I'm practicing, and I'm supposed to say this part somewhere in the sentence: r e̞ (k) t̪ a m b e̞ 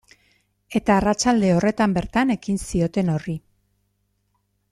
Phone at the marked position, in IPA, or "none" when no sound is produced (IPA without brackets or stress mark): none